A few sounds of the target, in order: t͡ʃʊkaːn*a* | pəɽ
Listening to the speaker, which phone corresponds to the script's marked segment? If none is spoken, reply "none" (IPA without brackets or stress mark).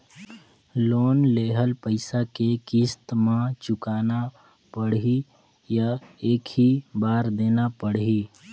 a